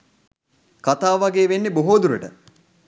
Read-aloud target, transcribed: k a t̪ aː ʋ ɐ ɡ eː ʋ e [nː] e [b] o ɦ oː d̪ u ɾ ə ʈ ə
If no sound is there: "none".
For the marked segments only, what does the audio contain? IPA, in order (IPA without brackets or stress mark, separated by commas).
nː, b